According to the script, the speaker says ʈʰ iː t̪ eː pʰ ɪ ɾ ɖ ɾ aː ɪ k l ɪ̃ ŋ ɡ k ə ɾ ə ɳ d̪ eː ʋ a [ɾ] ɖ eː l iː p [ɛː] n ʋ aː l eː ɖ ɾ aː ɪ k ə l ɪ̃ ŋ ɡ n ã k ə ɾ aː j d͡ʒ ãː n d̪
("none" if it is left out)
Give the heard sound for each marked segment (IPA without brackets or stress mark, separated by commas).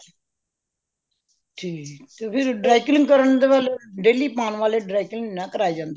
l, aː